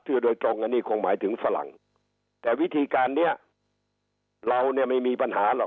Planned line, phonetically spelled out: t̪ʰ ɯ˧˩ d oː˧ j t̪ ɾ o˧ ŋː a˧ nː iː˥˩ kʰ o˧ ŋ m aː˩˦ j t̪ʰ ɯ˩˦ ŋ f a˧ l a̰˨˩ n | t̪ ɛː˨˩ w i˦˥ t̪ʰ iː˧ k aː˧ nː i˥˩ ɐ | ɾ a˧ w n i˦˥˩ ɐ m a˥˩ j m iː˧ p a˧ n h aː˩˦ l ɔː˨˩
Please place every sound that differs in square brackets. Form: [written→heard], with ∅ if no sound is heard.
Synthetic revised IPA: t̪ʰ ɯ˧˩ d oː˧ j t̪ ɾ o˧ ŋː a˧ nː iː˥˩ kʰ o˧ ŋ m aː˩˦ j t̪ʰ ɯ˩˦ ŋ f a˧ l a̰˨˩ [n→ŋ] | t̪ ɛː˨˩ w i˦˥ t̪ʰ iː˧ k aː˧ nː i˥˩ ɐ | ɾ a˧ w n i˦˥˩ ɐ m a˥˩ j m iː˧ p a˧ n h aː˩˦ l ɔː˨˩